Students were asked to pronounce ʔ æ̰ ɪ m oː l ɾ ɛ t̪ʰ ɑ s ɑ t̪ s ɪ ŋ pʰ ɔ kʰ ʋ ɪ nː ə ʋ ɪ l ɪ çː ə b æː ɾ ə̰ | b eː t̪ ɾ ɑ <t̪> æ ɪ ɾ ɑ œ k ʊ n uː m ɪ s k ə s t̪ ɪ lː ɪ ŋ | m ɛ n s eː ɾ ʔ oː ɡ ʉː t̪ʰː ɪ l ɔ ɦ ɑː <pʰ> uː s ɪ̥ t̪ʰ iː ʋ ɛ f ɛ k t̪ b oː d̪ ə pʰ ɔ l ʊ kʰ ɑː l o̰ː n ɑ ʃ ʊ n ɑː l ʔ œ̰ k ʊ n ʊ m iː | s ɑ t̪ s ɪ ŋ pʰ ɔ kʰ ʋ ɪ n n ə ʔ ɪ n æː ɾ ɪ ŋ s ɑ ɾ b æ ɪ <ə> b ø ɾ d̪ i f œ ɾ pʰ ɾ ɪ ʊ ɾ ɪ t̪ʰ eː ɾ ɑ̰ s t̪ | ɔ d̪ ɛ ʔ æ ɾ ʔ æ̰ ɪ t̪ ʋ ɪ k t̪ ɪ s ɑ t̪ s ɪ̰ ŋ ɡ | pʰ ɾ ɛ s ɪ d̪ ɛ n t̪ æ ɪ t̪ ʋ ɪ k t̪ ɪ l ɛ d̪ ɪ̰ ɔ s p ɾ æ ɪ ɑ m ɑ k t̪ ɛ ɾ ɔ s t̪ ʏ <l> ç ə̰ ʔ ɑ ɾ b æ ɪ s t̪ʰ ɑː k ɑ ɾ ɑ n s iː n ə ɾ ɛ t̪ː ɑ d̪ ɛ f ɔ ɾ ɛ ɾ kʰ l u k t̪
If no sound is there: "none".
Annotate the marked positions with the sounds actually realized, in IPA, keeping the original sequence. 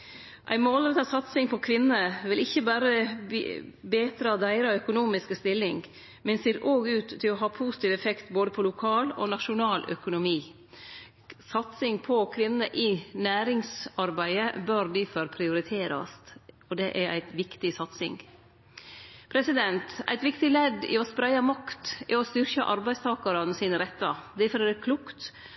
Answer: d̪, pʰ, ə, ɾ

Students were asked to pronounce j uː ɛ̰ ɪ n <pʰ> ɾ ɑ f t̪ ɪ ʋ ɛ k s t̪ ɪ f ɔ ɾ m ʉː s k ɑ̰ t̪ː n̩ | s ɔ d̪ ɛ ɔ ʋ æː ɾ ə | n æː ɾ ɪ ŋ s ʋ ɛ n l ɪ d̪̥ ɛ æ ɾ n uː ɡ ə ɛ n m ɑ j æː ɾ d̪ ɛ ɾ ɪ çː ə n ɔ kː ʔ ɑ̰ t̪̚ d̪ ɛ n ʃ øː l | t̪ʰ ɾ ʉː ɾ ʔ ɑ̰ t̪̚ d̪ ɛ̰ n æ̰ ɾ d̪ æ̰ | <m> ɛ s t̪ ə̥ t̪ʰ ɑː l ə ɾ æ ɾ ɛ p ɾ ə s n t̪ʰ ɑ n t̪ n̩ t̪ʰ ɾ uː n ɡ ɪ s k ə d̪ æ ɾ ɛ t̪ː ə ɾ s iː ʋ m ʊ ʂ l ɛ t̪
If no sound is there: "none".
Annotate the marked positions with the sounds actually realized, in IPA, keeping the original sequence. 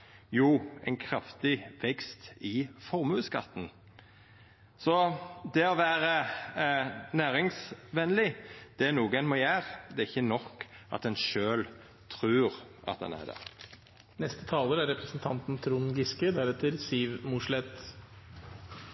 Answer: kʰ, n

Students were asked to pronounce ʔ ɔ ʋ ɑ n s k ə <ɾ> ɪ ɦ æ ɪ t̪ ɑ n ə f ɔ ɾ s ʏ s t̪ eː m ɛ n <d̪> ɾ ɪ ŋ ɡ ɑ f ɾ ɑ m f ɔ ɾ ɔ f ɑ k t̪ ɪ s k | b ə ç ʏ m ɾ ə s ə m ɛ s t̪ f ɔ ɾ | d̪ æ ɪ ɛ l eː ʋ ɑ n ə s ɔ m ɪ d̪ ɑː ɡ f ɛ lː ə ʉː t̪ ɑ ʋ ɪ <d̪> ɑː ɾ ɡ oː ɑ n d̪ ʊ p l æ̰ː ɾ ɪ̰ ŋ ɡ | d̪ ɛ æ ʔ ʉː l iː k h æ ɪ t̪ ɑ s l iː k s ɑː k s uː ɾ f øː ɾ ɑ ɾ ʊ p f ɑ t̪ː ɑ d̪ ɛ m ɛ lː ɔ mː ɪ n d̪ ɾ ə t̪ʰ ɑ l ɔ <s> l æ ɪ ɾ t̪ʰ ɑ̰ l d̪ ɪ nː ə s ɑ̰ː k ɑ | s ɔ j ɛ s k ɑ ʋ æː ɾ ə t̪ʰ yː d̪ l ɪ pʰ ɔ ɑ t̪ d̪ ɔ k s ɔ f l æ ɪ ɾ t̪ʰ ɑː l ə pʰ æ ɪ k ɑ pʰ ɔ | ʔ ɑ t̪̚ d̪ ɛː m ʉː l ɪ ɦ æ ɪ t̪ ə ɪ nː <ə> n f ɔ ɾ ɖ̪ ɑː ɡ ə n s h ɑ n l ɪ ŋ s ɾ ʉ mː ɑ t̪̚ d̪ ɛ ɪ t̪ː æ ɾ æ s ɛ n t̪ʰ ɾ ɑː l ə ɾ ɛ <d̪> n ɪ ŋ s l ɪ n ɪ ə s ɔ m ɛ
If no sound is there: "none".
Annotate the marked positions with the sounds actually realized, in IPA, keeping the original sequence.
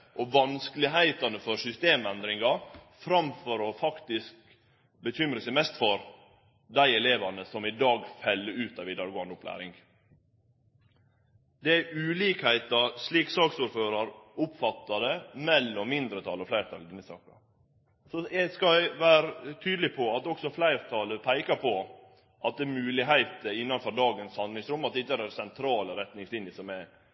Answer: l, d̪, d̪, f, ɑ, t̪

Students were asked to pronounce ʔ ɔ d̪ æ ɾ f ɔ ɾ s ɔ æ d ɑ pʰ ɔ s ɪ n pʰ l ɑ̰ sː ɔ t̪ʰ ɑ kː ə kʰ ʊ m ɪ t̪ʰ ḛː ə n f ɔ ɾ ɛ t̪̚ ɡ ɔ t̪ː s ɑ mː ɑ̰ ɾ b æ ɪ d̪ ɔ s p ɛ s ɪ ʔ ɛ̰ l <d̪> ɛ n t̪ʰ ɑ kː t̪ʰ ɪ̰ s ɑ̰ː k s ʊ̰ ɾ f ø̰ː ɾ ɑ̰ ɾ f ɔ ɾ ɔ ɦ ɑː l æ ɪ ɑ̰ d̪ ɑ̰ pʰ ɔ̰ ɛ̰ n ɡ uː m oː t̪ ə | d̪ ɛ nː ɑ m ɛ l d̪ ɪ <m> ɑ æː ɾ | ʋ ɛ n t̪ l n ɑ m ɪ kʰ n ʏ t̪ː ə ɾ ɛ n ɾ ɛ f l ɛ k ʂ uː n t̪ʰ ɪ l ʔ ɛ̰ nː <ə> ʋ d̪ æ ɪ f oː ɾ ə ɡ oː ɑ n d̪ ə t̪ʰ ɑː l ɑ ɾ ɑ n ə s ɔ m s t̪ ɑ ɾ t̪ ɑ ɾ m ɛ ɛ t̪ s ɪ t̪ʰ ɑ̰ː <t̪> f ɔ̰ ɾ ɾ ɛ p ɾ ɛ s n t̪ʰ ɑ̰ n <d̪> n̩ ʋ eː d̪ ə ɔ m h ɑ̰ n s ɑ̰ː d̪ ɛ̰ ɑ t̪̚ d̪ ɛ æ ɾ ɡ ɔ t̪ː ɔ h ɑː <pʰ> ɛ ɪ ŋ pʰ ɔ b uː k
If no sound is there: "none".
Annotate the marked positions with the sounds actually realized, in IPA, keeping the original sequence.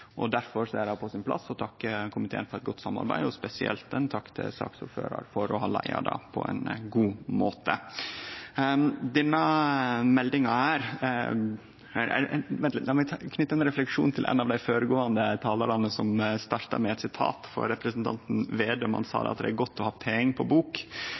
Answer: t̪, ŋ, ɑ, t̪, t̪, pʰ

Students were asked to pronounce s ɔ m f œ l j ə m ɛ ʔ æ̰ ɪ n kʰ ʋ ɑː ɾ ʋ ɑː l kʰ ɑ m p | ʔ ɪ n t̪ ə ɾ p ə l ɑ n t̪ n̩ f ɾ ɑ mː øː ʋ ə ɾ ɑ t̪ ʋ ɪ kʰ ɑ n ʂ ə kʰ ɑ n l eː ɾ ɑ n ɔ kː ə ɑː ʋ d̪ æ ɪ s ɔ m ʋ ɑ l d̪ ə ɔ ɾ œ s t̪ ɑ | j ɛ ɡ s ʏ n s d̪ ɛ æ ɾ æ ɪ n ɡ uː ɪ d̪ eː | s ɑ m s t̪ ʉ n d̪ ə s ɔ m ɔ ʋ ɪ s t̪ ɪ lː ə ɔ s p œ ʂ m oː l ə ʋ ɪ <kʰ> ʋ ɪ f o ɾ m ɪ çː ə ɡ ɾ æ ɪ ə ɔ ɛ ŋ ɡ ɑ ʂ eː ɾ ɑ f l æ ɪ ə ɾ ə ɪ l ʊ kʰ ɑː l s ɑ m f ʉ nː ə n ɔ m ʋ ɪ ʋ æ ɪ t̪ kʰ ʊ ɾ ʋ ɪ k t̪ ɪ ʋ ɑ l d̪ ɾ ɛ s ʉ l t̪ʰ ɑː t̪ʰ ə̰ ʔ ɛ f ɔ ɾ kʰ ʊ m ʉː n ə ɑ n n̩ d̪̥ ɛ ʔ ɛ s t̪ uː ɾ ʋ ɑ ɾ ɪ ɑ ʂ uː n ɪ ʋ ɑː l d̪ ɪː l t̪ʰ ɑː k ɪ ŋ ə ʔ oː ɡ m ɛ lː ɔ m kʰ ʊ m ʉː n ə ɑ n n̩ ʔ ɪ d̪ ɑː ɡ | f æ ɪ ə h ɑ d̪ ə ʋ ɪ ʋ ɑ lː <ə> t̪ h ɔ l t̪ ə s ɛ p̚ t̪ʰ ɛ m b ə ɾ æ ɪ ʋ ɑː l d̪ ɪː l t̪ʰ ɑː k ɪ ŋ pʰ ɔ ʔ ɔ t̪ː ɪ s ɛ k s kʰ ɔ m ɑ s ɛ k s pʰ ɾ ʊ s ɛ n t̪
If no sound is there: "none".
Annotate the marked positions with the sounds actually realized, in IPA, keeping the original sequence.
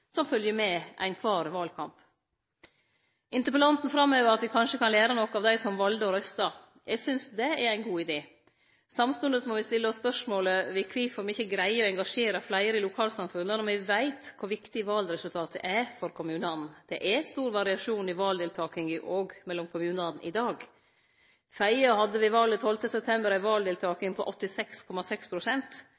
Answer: kʰ, ə

